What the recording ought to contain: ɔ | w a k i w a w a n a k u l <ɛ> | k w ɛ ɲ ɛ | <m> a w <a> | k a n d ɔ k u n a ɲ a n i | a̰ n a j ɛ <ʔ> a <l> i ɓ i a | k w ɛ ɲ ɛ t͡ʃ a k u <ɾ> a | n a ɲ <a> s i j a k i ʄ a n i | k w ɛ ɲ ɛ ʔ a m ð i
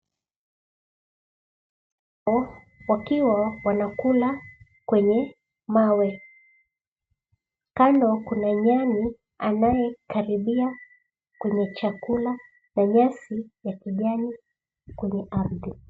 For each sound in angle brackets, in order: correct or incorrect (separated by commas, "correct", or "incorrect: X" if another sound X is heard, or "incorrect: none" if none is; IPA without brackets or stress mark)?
incorrect: a, correct, incorrect: ɛ, incorrect: k, incorrect: ɾ, incorrect: l, correct